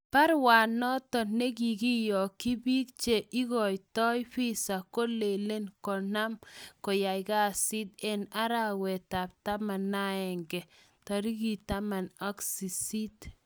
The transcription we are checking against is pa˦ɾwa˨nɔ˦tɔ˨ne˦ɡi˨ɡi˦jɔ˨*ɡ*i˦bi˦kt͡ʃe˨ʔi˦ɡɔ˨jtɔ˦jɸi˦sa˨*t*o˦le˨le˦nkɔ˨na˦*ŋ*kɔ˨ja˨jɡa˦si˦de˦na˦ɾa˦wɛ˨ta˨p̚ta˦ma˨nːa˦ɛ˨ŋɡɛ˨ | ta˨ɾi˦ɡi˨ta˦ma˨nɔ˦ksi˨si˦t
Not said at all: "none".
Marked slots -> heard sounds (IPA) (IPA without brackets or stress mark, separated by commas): k, k, m